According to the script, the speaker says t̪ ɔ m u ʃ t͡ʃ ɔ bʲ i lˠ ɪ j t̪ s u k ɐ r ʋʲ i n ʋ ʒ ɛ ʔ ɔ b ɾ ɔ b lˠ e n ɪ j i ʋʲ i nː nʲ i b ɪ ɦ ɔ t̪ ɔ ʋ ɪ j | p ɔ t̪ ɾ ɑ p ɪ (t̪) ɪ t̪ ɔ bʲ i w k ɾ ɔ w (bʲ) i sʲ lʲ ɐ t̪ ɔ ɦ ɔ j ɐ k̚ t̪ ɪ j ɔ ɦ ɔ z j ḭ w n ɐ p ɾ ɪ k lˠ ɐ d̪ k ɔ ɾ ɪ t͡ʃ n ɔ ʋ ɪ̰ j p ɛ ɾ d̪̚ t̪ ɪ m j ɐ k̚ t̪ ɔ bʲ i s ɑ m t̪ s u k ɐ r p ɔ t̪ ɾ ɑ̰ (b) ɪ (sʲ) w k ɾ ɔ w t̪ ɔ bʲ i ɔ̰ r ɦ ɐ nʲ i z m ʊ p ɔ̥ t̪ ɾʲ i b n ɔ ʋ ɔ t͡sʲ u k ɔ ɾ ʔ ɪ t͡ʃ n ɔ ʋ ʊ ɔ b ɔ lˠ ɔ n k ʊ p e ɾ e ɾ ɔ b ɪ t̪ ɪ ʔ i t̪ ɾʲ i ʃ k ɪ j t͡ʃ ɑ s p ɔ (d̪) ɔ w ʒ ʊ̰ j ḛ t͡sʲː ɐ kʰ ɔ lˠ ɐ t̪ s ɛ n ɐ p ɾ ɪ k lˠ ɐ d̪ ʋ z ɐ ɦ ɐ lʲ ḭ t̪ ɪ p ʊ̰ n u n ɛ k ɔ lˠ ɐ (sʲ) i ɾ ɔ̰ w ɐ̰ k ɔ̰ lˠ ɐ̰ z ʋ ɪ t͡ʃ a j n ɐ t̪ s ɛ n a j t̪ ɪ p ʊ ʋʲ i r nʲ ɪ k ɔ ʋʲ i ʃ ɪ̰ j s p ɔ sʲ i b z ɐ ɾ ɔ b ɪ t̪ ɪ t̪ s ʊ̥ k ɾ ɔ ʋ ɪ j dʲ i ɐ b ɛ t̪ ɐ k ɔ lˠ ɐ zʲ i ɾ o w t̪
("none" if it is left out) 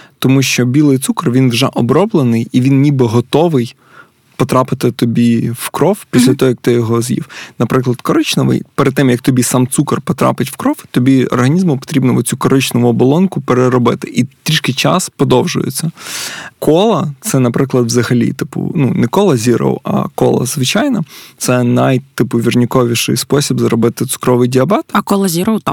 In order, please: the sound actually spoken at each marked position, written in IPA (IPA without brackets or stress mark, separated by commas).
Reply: t̪, pʲ, p, tʲ, d̪, zʲ